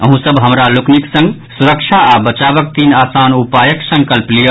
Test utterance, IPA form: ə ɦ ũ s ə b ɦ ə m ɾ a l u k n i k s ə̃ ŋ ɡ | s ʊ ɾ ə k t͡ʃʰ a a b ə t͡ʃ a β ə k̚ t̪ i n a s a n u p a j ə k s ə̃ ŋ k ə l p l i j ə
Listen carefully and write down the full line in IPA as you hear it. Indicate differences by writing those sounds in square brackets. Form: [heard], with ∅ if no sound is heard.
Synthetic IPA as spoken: ə ɦ ũ s ə b ɦ ə m ɾ a l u k n i k s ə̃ ŋ ɡ | s [u] ɾ ə k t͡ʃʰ a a b ə t͡ʃ a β ə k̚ t̪ i n a s a n u p a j ə k s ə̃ ŋ k ə l p l i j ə